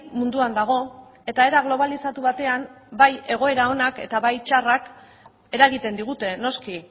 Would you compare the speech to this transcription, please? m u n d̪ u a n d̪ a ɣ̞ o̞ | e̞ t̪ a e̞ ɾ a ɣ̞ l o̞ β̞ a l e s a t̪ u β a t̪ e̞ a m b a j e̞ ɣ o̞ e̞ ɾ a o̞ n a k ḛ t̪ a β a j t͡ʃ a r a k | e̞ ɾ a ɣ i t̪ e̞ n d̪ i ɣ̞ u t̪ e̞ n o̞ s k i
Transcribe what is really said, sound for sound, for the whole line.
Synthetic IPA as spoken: m u n d̪ u a n d̪ a ɣ̞ o̞ | e̞ t̪ a e̞ ɾ a ɣ̞ l o̞ β̞ a l i s a t̪ u β a t̪ e̞ a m b a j e̞ ɣ o̞ e̞ ɾ a o̞ n a k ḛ t̪ a β a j t͡ʃ a r a k | e̞ ɾ a ɣ i t̪ e̞ n d̪ i ɣ̞ u t̪ e̞ n o̞ s k i